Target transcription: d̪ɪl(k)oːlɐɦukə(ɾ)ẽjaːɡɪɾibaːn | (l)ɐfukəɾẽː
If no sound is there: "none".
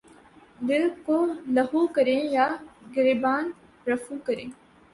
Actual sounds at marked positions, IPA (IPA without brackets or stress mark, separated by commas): k, ɾ, ɾ